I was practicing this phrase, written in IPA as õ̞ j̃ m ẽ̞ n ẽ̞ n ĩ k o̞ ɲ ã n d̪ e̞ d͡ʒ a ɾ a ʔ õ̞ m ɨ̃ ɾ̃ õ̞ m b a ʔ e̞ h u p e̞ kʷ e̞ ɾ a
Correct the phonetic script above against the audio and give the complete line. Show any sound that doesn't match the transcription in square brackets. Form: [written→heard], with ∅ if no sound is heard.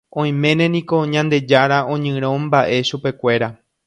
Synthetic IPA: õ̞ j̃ m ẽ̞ n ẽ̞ n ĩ k o̞ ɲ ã n d̪ e̞ d͡ʒ a ɾ a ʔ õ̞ [m→ɲ] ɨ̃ ɾ̃ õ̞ m b a ʔ e̞ [h→ʃ] u p e̞ kʷ e̞ ɾ a